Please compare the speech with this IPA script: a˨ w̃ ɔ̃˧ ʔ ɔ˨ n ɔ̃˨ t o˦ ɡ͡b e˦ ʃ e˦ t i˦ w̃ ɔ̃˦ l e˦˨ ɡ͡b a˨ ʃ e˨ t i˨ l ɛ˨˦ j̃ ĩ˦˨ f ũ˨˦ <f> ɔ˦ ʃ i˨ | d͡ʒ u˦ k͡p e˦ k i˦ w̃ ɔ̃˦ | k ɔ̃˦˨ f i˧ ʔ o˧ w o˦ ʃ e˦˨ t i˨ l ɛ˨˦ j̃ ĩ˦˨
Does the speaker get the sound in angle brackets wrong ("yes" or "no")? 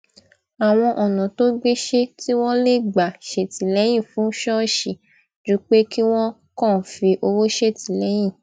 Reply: yes